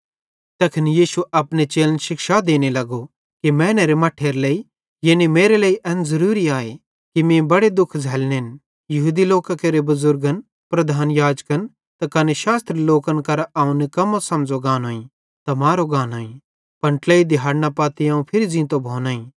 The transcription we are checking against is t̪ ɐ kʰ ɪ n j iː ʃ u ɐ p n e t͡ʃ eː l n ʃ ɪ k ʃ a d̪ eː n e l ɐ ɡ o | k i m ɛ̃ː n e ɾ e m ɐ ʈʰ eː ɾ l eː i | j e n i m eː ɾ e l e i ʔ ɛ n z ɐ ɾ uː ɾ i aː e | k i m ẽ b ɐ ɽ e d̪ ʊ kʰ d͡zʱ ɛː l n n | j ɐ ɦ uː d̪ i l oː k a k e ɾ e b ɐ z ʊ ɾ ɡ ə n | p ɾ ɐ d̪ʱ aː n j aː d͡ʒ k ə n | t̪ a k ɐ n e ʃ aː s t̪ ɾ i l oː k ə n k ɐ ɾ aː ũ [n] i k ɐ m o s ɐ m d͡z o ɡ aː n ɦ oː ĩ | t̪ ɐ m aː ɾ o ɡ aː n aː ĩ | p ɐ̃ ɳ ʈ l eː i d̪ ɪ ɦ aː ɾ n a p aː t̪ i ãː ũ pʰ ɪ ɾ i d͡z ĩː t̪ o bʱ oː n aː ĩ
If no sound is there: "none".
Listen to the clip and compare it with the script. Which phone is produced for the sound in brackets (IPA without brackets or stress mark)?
n